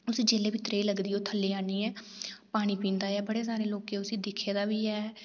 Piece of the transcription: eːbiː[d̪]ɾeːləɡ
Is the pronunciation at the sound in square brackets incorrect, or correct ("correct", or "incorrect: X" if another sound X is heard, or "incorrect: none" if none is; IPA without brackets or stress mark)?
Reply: incorrect: t̪